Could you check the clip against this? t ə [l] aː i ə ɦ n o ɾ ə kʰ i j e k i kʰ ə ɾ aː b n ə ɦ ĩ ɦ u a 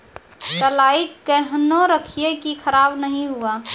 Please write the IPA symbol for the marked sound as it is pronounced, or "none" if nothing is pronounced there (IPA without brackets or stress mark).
l